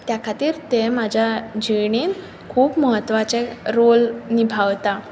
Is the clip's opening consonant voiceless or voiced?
voiceless